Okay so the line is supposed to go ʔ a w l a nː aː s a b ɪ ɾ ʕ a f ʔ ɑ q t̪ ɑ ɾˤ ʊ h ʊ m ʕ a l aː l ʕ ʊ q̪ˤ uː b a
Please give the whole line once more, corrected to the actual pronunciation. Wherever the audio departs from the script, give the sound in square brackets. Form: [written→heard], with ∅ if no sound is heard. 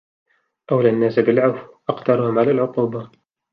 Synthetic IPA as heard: ʔ a w l a nː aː s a b ɪ [ɾ→l] ʕ a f ʔ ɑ q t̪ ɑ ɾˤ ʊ h ʊ m ʕ a l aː l ʕ ʊ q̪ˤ uː b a